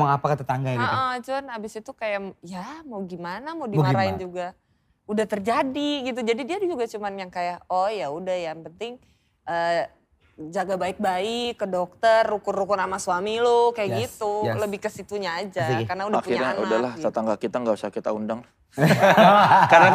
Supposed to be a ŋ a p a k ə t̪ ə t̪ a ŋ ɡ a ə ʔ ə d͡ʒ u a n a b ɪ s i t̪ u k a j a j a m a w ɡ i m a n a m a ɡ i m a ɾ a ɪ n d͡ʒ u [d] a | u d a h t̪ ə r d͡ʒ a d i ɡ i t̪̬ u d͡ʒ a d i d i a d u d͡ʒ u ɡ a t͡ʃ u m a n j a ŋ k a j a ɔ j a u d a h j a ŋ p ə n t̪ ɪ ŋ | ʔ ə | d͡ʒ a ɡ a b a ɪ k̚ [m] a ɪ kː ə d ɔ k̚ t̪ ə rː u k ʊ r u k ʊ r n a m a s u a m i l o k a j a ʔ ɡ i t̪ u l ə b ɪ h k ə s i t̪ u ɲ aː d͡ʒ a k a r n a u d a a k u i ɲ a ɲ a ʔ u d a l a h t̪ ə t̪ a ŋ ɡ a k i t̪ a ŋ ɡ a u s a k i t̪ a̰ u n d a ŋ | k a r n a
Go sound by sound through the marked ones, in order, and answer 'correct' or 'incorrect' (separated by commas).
incorrect, incorrect